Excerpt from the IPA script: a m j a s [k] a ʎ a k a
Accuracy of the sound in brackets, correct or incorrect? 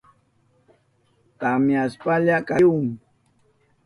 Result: incorrect